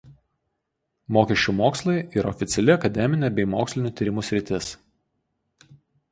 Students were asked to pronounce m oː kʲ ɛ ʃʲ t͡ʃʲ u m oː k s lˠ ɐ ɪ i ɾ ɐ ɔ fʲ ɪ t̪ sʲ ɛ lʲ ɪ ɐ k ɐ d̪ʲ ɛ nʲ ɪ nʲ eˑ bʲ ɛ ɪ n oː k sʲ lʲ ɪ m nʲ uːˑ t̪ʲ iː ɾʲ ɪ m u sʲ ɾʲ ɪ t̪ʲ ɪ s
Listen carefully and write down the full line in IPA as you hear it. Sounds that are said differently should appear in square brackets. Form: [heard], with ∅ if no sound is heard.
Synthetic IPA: m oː kʲ ɛ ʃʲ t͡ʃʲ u m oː k s lˠ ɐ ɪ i ɾ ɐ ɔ fʲ ɪ t̪ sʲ ɛ lʲ ɪ ɐ k ɐ d̪ʲ ɛ [mʲ] ɪ nʲ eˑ bʲ ɛ ɪ [m] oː k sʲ lʲ ɪ [∅] nʲ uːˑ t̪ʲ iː ɾʲ ɪ m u sʲ ɾʲ ɪ t̪ʲ ɪ s